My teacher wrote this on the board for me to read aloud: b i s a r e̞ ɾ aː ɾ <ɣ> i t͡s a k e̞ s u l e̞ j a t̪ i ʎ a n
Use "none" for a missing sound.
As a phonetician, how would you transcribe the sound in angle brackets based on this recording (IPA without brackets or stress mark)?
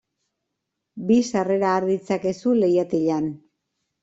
ð